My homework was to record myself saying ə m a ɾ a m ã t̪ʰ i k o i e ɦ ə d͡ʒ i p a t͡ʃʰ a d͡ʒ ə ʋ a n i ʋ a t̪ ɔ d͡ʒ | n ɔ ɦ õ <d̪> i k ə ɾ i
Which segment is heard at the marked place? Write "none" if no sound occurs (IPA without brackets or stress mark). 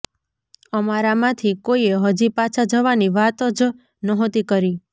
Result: t̪